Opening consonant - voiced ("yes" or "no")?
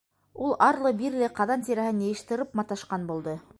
yes